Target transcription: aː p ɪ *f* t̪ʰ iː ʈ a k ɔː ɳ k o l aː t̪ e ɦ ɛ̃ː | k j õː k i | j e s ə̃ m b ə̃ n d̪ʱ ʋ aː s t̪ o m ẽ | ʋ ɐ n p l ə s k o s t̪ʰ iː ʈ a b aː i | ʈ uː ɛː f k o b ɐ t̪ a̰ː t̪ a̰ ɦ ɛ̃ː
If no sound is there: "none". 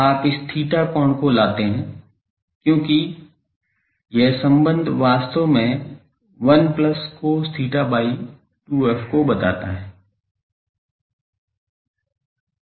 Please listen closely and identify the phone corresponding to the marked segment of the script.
s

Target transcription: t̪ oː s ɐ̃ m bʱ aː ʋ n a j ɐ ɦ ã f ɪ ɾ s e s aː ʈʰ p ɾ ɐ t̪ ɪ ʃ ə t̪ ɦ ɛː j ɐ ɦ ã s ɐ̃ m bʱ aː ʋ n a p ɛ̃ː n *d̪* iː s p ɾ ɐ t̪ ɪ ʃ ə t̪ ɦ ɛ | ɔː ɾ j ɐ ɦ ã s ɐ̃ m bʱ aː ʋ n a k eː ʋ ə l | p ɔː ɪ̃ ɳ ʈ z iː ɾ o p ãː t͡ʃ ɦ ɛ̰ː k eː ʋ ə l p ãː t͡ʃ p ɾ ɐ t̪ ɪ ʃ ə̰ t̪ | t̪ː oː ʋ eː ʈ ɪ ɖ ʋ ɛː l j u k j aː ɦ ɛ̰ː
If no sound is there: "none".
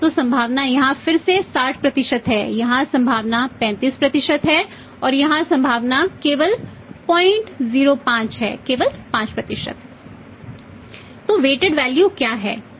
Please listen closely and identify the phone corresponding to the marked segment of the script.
t̪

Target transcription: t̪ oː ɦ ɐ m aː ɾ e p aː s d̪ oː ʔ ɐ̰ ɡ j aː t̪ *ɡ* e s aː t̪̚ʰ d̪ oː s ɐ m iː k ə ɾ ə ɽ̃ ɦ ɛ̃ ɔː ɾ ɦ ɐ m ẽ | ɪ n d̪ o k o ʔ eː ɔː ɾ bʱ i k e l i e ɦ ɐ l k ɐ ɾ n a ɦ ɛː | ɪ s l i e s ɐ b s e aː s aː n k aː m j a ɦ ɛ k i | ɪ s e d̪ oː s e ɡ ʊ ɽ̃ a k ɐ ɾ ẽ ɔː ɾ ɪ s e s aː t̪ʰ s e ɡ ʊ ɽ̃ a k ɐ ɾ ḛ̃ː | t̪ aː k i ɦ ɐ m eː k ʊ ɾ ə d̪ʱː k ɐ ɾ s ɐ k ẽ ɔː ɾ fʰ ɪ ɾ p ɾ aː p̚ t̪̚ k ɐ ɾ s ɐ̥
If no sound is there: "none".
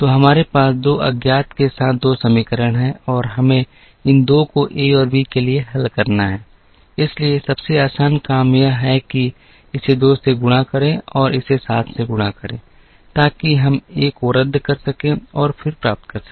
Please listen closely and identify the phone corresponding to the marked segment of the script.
k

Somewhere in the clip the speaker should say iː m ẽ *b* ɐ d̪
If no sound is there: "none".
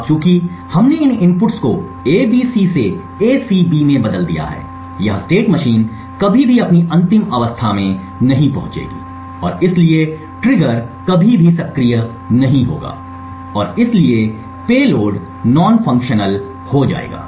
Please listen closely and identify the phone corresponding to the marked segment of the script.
b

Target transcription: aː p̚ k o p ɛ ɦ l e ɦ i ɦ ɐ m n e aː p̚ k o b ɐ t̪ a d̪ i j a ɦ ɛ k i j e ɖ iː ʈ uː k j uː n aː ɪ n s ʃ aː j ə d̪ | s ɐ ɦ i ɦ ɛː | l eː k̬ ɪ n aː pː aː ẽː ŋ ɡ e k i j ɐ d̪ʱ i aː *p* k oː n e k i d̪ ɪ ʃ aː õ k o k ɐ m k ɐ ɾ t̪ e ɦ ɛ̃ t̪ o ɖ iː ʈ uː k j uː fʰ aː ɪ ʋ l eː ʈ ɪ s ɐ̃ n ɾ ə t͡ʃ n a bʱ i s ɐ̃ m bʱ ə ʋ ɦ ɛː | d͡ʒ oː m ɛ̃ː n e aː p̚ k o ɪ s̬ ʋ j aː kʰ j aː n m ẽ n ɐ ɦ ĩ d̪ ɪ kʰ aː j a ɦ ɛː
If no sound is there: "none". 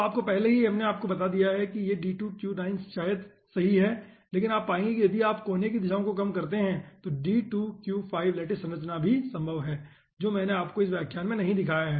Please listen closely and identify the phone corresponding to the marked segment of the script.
p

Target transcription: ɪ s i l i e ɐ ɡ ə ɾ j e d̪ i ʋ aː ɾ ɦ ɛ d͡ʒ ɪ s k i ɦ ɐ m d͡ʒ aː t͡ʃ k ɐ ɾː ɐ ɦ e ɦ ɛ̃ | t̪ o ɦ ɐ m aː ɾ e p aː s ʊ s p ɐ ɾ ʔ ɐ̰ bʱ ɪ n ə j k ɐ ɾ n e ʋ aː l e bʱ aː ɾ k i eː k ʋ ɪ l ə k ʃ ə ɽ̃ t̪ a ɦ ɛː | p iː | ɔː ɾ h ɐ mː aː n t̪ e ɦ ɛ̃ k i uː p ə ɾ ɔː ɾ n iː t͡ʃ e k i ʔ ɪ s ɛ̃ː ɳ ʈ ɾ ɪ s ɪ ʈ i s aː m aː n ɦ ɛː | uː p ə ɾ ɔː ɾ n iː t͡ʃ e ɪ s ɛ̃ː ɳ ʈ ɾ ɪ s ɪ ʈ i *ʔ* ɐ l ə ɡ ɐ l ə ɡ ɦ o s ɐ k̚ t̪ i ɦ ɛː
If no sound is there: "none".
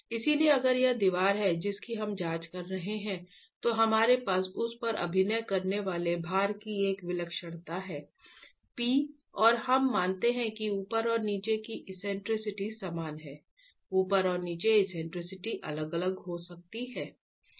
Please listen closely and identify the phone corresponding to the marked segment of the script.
ʔ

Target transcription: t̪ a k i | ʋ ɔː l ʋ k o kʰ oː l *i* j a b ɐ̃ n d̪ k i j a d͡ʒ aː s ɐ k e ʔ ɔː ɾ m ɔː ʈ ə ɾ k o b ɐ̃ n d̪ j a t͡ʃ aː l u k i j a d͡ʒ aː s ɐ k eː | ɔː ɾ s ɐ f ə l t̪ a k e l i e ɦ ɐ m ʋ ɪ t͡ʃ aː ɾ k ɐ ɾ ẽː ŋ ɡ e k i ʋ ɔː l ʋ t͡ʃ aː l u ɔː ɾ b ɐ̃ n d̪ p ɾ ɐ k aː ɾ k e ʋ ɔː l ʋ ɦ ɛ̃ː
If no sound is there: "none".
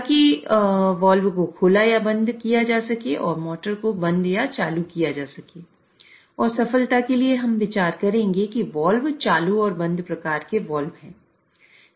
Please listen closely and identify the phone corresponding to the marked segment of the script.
a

